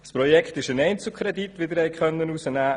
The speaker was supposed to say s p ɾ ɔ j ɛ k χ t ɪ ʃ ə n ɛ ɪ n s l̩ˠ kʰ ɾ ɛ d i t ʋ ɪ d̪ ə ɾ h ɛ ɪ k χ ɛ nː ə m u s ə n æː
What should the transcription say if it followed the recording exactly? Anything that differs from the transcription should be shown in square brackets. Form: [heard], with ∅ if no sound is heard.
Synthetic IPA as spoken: s p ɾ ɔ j ɛ k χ t ɪ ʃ ə n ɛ ɪ n [t͡s] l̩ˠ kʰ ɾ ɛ d i t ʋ ɪ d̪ ə ɾ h ɛ ɪ k χ [œ] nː ə [n] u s ə n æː

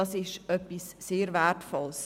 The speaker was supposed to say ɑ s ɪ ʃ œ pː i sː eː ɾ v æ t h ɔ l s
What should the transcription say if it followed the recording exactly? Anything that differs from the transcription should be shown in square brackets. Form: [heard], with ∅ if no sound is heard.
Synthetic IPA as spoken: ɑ s ɪ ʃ œ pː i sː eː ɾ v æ t [f] ɔ l s

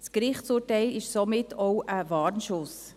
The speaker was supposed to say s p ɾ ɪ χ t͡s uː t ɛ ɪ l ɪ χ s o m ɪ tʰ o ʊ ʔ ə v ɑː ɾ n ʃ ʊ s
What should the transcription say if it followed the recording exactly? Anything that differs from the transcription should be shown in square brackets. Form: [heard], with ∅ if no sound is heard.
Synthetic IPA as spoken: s [k] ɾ ɪ χ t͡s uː t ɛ ɪ l ɪ [ʃ] s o m ɪ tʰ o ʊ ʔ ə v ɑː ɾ n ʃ ʊ s

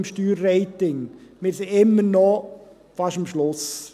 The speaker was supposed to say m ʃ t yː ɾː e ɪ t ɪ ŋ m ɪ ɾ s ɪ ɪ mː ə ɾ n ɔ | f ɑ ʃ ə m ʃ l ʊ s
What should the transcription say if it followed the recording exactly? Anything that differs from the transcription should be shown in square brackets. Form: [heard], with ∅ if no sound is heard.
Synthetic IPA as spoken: m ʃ t yː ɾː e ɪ t ɪ ŋ m ɪ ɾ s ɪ ɪ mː ə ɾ n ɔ | f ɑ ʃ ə m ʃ l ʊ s

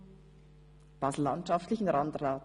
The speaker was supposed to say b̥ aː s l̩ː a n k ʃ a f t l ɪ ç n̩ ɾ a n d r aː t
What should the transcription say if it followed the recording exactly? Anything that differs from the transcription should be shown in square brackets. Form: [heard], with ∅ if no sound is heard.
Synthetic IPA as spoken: b̥ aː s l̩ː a n [t] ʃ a f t l ɪ ç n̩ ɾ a n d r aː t

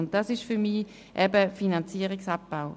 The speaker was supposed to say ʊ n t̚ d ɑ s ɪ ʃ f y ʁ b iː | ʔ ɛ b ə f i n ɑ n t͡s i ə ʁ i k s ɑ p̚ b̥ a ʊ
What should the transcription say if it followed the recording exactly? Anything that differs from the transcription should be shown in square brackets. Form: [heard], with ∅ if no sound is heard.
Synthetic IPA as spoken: ʊ n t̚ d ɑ s ɪ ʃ f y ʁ [m] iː | ʔ ɛ b ə f i n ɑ n t͡s i ə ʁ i k s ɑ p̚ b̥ a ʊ

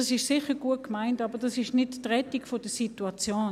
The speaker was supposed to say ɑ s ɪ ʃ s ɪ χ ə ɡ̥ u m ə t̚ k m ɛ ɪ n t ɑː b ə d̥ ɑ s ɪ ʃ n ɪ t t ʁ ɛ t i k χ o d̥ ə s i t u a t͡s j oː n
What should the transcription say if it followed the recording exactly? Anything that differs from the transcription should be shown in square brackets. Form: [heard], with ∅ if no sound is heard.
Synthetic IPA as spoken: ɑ s ɪ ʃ s ɪ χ ə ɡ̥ u [∅] ə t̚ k m [a] ɪ n t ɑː b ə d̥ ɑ s ɪ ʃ n ɪ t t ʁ ɛ t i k [f] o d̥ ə s i t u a t͡s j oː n

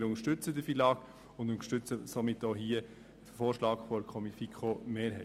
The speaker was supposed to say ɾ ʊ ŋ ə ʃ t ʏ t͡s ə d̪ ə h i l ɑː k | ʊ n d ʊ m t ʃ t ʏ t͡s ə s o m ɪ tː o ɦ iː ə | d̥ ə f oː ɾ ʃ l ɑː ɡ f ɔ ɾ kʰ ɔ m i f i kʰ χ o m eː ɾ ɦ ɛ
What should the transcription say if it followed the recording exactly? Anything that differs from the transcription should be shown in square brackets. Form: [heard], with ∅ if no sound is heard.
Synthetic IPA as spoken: ɾ ʊ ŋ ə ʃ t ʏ t͡s ə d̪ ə [f] i l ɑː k | ʊ n d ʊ [n] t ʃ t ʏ t͡s ə s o m ɪ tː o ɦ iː ə | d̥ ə f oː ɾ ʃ l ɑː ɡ f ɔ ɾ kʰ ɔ m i f i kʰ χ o m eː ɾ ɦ ɛ

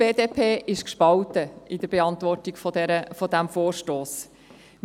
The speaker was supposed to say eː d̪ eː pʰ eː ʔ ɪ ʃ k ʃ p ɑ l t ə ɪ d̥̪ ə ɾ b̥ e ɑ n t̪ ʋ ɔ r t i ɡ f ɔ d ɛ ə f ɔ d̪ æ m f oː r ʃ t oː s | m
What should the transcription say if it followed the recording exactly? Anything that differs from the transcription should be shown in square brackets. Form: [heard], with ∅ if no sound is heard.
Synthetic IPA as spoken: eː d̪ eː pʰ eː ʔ ɪ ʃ k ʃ p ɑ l t ə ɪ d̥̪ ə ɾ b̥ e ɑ n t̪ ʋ ɔ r t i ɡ f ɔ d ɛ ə f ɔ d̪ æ m f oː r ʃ t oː s | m

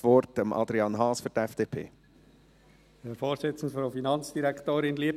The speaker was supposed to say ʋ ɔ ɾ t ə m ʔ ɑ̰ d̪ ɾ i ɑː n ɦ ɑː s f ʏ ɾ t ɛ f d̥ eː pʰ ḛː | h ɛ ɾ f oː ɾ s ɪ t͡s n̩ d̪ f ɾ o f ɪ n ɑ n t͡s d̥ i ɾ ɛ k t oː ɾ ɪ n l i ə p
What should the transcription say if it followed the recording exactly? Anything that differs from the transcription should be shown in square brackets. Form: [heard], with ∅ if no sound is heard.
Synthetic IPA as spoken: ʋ ɔ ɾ t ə m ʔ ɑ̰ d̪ ɾ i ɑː n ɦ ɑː s f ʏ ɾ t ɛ f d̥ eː pʰ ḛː | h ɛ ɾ f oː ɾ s ɪ t͡s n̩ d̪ f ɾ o f [i] n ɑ n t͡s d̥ i ɾ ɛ k t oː ɾ ɪ n l i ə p

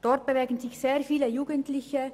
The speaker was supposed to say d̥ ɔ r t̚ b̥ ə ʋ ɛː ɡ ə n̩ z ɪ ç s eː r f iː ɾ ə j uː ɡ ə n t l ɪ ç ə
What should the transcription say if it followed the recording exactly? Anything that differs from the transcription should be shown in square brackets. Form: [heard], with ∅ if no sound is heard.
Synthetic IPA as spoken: d̥ ɔ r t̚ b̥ ə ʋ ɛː ɡ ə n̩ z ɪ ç s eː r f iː [l] ə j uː ɡ ə n t l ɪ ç ə

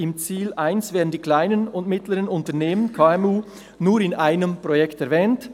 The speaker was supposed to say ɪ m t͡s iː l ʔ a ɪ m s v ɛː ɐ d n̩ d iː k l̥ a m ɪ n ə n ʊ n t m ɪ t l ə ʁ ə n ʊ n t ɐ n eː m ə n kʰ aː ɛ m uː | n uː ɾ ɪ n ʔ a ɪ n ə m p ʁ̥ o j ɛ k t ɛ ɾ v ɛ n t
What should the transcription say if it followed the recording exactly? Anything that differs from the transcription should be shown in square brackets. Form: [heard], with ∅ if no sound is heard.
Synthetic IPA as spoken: ɪ m t͡s iː l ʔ a ɪ [n] s v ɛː ɐ d n̩ d iː k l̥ a [∅] ɪ n ə n ʊ n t m ɪ t l ə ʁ ə n ʊ n t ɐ n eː m ə n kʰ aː ɛ m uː | n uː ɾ ɪ n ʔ a ɪ n ə m p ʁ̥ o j ɛ k t ɛ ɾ v [ɛː] n t

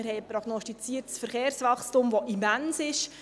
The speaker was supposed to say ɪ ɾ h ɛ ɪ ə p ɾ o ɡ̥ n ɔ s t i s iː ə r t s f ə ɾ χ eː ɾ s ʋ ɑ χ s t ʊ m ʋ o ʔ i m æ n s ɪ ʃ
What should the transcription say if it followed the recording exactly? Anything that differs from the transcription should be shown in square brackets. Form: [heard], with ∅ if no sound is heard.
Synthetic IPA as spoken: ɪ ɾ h ɛ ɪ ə p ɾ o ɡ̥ n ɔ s t i [t͡s] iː ə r t s f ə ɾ χ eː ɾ s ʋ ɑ χ s t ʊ m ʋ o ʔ i m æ n s ɪ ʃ

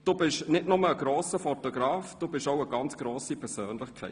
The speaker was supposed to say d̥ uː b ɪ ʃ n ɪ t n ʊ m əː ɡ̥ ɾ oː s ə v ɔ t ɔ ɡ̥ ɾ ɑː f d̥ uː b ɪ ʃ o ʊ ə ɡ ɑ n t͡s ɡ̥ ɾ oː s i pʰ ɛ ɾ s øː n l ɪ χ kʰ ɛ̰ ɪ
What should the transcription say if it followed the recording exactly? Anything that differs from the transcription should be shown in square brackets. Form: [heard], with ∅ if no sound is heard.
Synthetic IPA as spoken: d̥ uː b ɪ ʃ n ɪ t n ʊ m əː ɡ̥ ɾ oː s ə [f] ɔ t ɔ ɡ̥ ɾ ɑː f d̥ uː b ɪ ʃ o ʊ ə ɡ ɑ n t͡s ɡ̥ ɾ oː s i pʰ ɛ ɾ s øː n l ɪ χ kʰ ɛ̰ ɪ

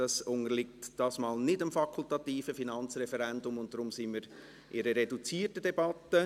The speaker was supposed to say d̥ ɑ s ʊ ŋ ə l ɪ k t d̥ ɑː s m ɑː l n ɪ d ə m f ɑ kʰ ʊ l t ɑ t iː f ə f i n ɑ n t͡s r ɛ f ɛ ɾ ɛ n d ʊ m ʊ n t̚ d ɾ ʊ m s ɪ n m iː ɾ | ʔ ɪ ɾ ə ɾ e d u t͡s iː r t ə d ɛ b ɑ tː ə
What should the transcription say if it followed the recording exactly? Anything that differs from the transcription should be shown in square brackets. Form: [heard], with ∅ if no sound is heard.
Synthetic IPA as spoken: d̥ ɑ s ʊ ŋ ə l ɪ k t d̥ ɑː s m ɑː l n ɪ d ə m f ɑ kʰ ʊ l t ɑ t iː f ə f i n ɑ n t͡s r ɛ f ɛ ɾ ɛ n d ʊ m ʊ n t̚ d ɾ ʊ m s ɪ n m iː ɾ | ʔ ɪ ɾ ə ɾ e d u t͡s iː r t ə d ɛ b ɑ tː ə

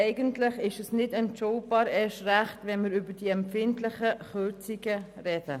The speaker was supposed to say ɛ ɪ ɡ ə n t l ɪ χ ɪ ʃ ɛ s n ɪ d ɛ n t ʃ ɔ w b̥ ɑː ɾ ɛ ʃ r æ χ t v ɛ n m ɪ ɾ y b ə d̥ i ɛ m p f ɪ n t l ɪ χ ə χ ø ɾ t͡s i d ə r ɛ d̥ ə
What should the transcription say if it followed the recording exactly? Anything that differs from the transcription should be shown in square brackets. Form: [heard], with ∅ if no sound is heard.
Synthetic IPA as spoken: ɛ ɪ ɡ ə n t l ɪ χ ɪ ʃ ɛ s n ɪ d ɛ n t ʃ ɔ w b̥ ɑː ɾ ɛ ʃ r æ χ t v ɛ n m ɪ ɾ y b ə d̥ i ɛ m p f ɪ n t l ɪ χ ə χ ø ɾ t͡s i [ɡ] ə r ɛ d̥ ə

